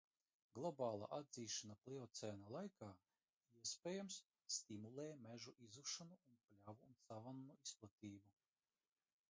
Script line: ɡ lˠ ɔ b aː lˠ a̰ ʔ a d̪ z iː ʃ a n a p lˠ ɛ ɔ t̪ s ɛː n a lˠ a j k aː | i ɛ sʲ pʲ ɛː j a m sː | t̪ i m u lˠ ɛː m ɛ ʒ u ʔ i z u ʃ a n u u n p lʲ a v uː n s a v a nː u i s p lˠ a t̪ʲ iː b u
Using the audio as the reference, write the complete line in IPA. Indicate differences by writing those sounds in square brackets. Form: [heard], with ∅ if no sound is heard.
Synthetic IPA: ɡ lˠ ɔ b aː lˠ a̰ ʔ a d̪ z iː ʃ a n a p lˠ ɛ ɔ t̪ s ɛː n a lˠ a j k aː | i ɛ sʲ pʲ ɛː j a m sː | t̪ i m u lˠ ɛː m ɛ ʒ u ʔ i z u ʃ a n u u n p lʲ a v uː n s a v a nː u i s p lˠ a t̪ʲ iː b u

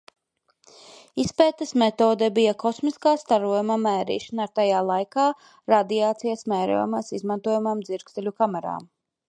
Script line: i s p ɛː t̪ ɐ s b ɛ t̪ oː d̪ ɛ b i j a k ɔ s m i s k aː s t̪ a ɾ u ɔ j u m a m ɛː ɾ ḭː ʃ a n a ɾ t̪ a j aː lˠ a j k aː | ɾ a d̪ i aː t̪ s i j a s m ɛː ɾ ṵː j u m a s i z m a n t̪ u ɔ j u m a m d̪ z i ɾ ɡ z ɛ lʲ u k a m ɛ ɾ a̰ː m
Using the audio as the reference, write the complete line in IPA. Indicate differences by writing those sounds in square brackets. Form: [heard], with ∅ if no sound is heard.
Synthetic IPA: i s p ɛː t̪ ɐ s [m] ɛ t̪ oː d̪ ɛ b i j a k ɔ s m i s k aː s t̪ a ɾ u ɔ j u m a m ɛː ɾ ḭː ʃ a n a ɾ t̪ a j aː lˠ a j k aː | ɾ a d̪ i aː t̪ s i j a s m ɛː ɾ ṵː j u m a s i z m a n t̪ u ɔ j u m a m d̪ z i ɾ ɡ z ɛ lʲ u k a m ɛ ɾ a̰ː m

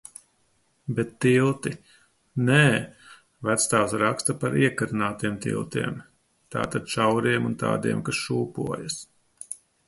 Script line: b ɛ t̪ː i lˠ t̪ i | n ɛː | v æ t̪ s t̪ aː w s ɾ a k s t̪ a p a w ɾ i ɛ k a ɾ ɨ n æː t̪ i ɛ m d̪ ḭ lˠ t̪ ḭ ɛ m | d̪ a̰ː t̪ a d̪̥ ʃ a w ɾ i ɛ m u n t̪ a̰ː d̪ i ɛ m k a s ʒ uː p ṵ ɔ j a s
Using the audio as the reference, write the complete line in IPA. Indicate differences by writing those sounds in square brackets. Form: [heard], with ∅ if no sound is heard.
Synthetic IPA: b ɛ t̪ː i lˠ t̪ i | n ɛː | v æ t̪ s t̪ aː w s ɾ a k s t̪ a p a [∅] ɾ i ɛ k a ɾ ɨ n [aː] t̪ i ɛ m [t̪] ḭ lˠ t̪ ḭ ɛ m | [t̪] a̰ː t̪ a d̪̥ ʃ a w ɾ i ɛ m u n t̪ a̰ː d̪ i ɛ m k a s [ʃ] uː p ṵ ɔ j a s

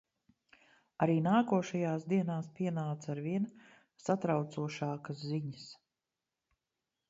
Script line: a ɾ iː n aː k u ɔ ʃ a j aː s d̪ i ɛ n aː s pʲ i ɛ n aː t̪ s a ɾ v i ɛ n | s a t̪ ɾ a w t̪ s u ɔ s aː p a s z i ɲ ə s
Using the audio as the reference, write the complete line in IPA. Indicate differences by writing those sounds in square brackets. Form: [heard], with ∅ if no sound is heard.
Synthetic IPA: a ɾ iː n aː k u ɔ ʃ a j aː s d̪ i ɛ n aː s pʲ i ɛ n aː t̪ s a ɾ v i ɛ n | s a t̪ ɾ a w t̪ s u ɔ [ʃ] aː [k] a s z i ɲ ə s

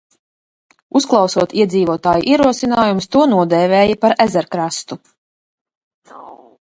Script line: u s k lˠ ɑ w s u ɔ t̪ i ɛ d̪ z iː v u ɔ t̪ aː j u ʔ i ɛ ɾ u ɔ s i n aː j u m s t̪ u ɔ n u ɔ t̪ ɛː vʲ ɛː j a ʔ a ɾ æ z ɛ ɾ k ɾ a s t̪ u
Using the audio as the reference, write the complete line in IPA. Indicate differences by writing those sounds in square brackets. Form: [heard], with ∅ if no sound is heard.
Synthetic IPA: u s k lˠ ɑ w s u ɔ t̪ i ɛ d̪ z iː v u ɔ t̪ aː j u ʔ i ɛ ɾ u ɔ s i n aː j u m s t̪ u ɔ n u ɔ [d̪] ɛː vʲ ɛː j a [p] a ɾ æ z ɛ ɾ k ɾ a s t̪ u

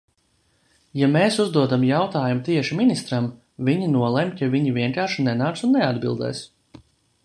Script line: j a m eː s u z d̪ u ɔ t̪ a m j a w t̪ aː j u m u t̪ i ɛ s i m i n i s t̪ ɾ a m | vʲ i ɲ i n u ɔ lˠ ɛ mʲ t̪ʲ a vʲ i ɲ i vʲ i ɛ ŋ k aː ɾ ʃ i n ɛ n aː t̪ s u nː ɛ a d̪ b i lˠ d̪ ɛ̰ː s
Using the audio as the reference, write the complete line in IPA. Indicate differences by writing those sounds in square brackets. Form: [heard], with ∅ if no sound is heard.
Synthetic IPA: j a m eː s u z d̪ u ɔ [d̪] a m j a w t̪ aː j u m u t̪ i ɛ [ʃ] i m i n i s t̪ ɾ a m | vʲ i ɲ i n u ɔ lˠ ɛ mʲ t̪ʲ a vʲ i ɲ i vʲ i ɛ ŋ k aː ɾ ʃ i n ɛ n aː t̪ s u nː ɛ a d̪ b i lˠ d̪ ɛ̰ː s

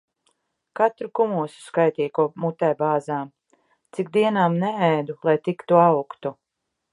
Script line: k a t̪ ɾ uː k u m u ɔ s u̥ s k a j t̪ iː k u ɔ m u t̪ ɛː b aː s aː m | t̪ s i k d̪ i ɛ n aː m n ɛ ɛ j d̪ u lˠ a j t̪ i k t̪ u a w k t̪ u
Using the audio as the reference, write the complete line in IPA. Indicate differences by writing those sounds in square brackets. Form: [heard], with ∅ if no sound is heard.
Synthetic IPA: k a t̪ ɾ [u] k u m u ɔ s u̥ s k a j t̪ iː k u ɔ m u t̪ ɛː b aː [z] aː m | t̪ s i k d̪ i ɛ n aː m n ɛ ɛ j d̪ u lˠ a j t̪ i k t̪ u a w k t̪ u

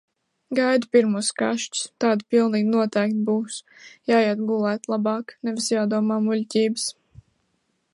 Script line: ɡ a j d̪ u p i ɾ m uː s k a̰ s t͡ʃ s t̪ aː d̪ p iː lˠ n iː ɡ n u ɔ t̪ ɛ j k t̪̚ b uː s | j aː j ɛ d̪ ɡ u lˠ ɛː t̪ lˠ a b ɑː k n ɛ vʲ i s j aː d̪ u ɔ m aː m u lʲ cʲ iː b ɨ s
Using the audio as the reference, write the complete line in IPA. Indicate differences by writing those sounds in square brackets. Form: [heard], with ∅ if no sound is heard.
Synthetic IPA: ɡ a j d̪ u p i ɾ m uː s k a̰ [ʃ] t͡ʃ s t̪ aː d̪ p [i] lˠ n iː ɡ n u ɔ t̪ ɛ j k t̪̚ b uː s | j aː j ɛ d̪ ɡ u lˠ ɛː t̪ lˠ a b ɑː k n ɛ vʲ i s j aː d̪ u ɔ m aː m u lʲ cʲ iː b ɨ s

